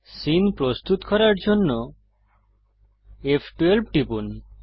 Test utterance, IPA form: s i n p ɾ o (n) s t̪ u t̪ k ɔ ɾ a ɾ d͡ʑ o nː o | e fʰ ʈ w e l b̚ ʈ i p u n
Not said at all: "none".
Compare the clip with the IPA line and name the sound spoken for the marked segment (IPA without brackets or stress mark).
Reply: none